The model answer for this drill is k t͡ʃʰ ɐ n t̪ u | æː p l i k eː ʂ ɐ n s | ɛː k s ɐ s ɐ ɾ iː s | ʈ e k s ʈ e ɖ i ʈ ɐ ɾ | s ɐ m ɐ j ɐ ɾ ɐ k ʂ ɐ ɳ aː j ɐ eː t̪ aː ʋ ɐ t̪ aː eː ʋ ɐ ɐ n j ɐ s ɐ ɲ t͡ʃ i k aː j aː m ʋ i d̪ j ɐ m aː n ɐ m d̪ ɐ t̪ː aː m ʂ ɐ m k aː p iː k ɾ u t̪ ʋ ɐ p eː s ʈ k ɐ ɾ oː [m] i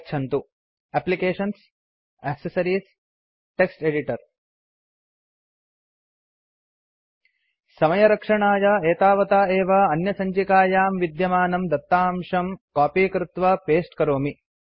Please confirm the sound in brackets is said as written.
yes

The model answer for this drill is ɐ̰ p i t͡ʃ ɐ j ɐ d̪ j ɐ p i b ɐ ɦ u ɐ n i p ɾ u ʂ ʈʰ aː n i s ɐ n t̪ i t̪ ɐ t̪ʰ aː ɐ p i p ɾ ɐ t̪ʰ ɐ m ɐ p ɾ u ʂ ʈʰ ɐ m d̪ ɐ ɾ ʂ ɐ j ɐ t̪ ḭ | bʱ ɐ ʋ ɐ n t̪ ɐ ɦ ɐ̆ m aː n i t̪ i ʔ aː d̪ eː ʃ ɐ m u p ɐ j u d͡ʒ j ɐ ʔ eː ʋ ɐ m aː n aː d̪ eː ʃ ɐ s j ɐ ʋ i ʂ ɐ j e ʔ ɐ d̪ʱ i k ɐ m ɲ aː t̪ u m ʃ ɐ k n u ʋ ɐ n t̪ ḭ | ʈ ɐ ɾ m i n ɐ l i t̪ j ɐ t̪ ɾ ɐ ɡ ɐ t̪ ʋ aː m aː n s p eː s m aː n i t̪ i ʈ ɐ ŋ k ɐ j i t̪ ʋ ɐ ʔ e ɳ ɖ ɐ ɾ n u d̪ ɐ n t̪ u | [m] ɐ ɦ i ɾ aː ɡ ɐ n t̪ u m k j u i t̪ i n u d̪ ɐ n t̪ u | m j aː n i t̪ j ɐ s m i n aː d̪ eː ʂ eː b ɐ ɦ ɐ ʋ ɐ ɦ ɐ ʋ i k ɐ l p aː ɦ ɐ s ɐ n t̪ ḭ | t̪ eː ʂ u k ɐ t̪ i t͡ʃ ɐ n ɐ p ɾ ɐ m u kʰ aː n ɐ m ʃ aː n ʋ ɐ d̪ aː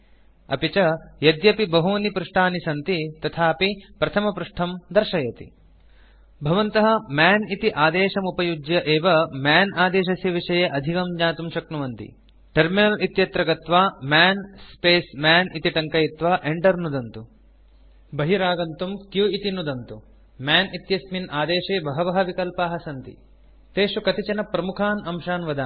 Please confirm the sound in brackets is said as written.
no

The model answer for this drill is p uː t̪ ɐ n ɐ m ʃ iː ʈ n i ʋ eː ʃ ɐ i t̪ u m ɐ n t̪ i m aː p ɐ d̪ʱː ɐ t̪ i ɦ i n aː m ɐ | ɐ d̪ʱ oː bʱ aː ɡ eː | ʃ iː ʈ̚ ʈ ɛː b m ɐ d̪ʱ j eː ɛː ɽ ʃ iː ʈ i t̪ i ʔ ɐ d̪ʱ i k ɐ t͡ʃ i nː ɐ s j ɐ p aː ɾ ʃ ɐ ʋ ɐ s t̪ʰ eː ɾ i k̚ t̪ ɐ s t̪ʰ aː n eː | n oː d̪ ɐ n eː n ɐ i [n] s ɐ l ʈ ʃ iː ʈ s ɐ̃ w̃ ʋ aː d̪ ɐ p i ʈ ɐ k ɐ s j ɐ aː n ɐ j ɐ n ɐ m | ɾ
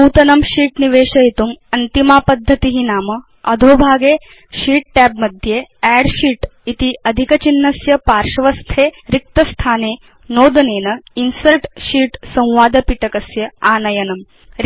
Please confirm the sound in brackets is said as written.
yes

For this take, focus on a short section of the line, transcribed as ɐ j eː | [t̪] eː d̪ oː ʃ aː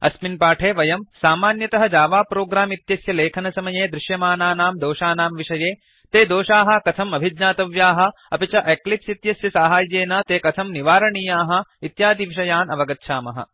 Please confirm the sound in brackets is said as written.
yes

